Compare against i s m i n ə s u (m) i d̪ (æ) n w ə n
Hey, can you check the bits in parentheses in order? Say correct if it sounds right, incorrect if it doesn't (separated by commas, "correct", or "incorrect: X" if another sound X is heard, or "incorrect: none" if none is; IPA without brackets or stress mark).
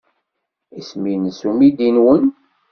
correct, incorrect: i